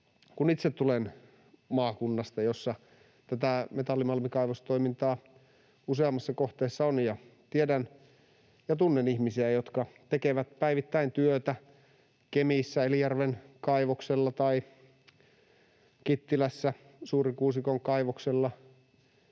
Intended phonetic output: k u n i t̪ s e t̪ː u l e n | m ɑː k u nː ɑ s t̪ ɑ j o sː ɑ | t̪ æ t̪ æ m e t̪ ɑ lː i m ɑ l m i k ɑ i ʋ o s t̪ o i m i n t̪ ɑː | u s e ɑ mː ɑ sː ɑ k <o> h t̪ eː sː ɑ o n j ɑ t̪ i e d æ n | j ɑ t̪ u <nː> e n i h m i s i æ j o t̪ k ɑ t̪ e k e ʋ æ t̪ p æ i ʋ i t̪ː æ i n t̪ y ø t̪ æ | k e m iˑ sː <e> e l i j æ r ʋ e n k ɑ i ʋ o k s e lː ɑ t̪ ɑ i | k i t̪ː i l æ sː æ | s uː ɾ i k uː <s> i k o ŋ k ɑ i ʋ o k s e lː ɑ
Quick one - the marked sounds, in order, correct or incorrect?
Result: correct, correct, incorrect: æ, correct

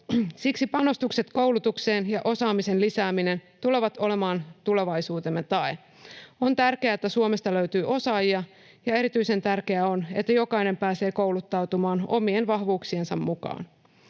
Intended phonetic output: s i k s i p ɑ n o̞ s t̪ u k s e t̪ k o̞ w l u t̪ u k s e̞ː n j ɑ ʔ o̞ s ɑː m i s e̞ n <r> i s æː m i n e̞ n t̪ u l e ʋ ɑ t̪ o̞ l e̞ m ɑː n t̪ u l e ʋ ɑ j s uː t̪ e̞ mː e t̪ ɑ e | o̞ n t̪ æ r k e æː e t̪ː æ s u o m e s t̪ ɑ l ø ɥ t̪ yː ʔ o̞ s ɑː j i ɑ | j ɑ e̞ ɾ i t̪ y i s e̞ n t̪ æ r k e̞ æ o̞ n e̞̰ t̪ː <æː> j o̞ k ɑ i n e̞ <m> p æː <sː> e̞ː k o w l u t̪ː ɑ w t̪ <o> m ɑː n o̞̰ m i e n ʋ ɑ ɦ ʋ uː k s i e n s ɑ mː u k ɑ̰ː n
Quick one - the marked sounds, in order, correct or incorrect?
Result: incorrect: l, incorrect: æ, correct, incorrect: s, incorrect: u

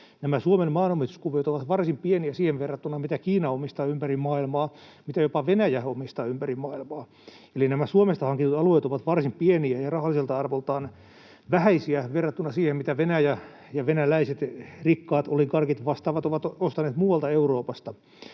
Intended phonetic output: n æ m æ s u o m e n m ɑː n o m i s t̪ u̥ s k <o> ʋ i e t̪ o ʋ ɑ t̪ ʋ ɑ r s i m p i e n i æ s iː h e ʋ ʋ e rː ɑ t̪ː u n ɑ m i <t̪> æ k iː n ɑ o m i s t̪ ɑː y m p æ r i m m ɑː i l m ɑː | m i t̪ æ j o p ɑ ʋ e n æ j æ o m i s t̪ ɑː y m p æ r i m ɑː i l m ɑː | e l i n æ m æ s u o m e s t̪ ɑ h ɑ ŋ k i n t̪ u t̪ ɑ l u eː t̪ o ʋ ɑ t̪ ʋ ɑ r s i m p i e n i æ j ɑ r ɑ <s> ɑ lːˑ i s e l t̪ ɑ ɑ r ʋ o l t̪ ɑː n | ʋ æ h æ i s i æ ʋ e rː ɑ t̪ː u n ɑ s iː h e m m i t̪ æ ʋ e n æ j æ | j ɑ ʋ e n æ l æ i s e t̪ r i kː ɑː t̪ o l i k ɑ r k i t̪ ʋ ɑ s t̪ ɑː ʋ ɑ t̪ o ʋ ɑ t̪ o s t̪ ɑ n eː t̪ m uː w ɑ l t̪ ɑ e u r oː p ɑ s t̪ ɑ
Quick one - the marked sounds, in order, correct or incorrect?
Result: incorrect: u, correct, incorrect: h

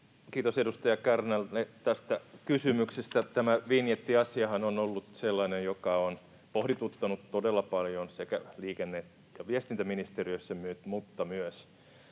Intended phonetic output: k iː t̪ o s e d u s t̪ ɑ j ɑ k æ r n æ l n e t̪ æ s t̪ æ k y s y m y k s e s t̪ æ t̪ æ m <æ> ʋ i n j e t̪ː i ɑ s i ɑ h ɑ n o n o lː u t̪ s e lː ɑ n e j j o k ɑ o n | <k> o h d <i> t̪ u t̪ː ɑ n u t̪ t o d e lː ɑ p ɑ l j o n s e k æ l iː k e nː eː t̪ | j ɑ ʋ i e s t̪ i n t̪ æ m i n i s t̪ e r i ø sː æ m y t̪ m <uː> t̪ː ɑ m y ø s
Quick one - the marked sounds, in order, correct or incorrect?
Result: correct, incorrect: p, correct, incorrect: u

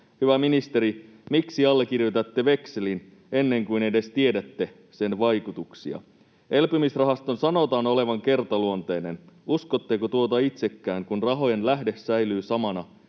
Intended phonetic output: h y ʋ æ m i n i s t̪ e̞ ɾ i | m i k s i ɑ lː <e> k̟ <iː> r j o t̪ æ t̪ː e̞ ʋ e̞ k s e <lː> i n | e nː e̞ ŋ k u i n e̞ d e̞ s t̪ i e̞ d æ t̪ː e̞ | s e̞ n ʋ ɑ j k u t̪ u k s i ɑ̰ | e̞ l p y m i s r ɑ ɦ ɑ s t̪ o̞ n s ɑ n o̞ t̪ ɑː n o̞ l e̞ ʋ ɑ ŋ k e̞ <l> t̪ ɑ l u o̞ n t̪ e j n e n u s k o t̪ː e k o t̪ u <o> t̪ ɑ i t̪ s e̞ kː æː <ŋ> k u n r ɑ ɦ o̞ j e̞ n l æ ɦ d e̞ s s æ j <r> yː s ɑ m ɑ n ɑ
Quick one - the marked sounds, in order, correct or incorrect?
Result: correct, incorrect: i, incorrect: l, incorrect: r, correct, correct, incorrect: l

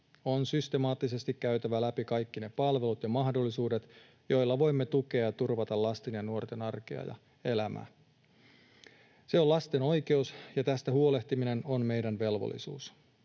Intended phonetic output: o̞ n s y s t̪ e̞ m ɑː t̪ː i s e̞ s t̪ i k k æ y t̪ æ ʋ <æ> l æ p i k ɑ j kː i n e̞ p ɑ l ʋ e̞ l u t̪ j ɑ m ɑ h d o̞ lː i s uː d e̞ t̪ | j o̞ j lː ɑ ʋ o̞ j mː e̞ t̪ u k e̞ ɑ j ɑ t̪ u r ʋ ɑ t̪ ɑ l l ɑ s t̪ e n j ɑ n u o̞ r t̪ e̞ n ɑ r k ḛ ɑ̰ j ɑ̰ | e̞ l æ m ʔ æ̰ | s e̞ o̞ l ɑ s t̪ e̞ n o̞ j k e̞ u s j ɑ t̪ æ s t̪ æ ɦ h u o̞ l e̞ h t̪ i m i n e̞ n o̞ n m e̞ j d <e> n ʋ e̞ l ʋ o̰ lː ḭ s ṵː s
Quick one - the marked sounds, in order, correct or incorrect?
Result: correct, incorrect: æ

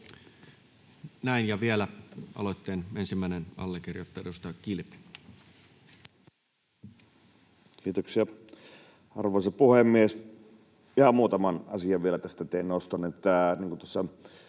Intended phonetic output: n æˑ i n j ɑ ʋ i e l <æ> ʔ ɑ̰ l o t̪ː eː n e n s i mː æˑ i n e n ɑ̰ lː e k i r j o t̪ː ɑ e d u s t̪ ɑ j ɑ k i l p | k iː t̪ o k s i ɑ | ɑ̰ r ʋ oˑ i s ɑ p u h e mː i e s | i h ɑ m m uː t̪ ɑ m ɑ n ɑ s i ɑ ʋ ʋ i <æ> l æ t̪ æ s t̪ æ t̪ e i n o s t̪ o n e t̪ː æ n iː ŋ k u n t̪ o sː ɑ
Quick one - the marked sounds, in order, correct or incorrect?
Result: correct, incorrect: e

